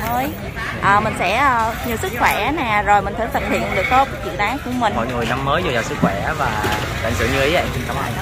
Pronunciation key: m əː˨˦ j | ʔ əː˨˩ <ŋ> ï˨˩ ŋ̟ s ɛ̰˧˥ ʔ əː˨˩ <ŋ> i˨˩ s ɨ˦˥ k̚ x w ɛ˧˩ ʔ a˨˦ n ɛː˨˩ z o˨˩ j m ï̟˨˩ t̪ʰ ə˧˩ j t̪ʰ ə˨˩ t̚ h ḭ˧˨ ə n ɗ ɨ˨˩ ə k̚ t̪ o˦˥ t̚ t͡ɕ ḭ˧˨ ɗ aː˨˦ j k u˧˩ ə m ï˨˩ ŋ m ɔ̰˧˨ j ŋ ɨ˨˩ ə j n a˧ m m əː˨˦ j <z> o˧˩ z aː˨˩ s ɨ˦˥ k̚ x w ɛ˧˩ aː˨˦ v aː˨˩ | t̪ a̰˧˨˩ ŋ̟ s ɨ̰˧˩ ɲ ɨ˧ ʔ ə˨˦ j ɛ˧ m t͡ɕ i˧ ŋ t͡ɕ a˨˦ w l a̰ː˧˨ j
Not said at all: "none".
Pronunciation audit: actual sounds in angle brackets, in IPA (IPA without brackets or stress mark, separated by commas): m, ɲ, z